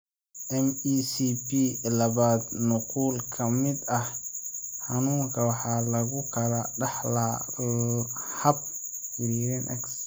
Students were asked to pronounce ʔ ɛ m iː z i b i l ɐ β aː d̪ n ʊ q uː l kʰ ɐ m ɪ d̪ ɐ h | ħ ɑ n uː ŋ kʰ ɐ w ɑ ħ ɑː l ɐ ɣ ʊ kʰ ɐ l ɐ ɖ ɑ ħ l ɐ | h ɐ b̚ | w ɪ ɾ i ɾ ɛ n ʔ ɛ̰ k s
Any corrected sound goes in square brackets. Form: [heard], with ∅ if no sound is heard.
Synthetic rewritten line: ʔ ɛ m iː [s] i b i l ɐ β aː d̪ n ʊ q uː l kʰ ɐ m ɪ d̪ ɐ h | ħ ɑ n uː ŋ kʰ ɐ w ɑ ħ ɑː l ɐ ɣ ʊ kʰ ɐ l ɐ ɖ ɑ ħ l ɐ | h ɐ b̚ | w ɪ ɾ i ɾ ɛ n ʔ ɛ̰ k s

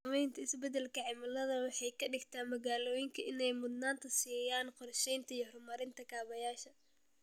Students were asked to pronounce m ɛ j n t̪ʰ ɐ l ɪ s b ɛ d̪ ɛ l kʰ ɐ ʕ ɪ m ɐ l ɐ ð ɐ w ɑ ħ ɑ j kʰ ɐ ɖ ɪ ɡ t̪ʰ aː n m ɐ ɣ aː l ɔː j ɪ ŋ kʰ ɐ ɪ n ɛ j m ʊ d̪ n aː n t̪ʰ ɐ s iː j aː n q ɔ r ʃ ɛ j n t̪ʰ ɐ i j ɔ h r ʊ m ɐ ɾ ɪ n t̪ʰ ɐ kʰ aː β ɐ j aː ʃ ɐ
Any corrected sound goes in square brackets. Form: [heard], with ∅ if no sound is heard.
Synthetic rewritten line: m ɛ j n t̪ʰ ɐ [∅] ɪ s b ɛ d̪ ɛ l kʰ ɐ ʕ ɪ m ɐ l ɐ ð ɐ w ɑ ħ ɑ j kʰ ɐ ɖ ɪ ɡ t̪ʰ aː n m ɐ ɣ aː l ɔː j ɪ ŋ kʰ ɐ ɪ n ɛ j m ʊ d̪ n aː n t̪ʰ ɐ s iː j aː n q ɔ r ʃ ɛ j n t̪ʰ ɐ i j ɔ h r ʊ m ɐ ɾ ɪ n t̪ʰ ɐ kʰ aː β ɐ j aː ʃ ɐ

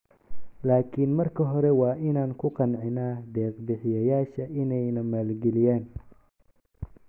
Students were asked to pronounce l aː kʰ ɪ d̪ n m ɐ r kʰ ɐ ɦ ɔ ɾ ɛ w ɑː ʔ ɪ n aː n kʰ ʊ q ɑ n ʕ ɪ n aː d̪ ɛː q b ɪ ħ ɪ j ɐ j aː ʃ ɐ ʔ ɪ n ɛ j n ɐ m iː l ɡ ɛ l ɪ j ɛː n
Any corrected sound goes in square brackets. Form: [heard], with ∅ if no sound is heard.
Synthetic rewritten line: l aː kʰ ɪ [∅] n m ɐ r kʰ ɐ ɦ ɔ ɾ ɛ w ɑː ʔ ɪ n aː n kʰ ʊ q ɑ n ʕ ɪ n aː d̪ ɛː q b ɪ ħ ɪ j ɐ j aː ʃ ɐ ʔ ɪ n ɛ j n ɐ m [aː] l ɡ ɛ l ɪ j [aː] n

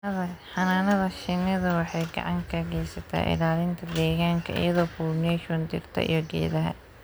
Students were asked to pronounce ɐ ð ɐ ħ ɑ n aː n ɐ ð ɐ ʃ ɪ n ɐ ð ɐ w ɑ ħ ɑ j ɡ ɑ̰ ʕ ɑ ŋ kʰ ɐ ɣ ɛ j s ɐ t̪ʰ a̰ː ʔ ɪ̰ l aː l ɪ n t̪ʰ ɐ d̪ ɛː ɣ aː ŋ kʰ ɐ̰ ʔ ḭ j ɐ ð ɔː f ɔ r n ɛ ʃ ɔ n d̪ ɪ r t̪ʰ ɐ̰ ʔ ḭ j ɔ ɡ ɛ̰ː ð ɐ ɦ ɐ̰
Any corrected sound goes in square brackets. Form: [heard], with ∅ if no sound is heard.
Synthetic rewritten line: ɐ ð ɐ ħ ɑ n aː n ɐ ð ɐ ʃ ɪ n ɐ ð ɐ w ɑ ħ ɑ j ɡ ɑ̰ ʕ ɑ ŋ kʰ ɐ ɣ ɛ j s ɐ t̪ʰ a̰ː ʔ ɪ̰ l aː l ɪ n t̪ʰ ɐ d̪ ɛː ɣ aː ŋ kʰ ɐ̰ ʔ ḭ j ɐ ð ɔː f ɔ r n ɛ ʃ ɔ n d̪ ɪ r t̪ʰ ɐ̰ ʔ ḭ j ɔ ɡ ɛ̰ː ð ɐ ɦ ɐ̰

